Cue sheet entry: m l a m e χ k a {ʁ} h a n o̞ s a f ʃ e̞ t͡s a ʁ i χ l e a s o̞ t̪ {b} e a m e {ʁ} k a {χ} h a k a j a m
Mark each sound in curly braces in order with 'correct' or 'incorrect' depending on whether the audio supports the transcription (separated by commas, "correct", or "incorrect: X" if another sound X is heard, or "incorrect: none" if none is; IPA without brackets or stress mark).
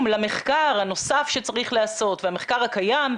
correct, incorrect: v, incorrect: χ, incorrect: ʁ